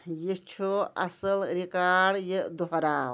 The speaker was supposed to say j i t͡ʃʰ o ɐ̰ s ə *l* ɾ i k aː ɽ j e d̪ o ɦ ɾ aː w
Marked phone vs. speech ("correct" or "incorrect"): correct